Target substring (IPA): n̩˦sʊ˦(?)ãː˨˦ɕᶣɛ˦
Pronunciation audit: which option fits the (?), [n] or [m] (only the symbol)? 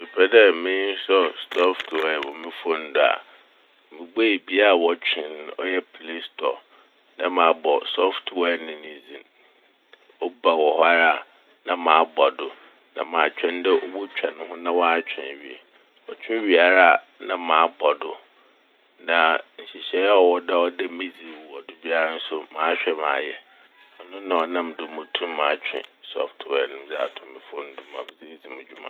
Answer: m